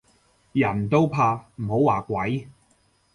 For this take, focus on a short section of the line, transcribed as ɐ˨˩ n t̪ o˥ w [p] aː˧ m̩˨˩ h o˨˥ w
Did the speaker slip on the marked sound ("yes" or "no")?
yes